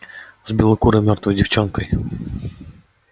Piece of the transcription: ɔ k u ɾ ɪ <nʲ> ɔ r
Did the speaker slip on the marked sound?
yes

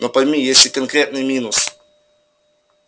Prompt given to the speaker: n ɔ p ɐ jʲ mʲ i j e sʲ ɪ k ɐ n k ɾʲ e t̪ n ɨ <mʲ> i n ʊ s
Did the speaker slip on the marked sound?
no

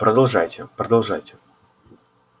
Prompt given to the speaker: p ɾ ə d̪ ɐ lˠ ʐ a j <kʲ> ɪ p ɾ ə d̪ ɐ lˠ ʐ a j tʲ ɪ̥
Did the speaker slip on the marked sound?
yes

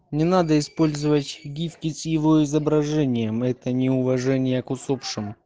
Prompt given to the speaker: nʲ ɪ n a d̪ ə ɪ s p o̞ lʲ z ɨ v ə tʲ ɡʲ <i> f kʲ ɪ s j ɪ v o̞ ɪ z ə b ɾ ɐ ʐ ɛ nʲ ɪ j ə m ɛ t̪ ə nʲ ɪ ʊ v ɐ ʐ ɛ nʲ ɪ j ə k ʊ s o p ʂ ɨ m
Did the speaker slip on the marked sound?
no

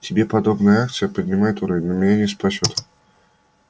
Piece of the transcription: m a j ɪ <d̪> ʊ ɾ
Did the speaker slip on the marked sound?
yes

